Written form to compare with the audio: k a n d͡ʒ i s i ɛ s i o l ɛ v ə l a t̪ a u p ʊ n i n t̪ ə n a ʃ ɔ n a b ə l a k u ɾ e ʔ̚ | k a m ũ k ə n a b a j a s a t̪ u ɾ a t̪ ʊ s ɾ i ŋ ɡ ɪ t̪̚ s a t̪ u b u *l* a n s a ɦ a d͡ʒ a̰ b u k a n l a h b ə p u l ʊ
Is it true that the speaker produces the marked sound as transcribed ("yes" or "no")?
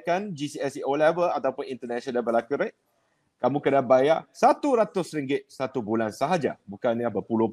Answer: yes